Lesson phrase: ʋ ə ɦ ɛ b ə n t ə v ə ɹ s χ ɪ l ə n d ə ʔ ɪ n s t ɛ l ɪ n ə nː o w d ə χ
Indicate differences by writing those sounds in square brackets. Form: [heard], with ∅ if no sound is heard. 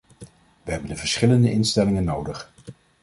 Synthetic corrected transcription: ʋ ə ɦ ɛ b ə n [d] ə v ə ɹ s χ ɪ l ə n d ə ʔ ɪ n s t ɛ l ɪ [ŋ] ə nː o w d ə χ